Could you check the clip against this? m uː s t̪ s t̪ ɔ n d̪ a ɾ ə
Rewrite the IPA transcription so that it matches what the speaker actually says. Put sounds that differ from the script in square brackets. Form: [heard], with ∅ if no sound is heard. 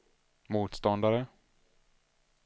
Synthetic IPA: m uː [∅] t̪ s t̪ ɔ n d̪ a ɾ ə